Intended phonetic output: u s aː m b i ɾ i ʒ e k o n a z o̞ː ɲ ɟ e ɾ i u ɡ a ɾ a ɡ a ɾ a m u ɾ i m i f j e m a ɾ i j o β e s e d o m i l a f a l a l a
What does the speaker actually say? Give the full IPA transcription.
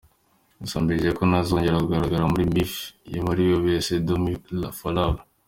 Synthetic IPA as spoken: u s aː m b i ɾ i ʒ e k o n a z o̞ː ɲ ɟ e ɾ a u ɡ a ɾ a ɡ a ɾ a m u ɾ i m i f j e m a ɾ i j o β e s e d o m i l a f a l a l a